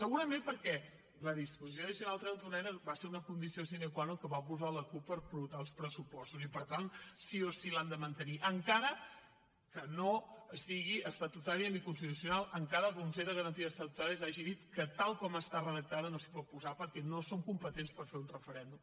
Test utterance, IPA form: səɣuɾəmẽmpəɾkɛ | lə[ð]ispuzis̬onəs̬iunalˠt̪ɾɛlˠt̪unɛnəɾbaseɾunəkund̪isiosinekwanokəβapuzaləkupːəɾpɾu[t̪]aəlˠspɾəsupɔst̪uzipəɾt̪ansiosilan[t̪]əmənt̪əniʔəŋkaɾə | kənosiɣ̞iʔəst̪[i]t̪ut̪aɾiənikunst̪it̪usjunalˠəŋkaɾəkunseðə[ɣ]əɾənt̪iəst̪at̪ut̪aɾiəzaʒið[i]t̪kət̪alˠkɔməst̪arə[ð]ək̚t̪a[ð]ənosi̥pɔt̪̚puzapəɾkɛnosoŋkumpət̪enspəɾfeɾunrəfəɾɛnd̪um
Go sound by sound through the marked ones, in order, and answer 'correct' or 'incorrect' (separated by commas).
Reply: correct, correct, incorrect, incorrect, correct, correct, correct, correct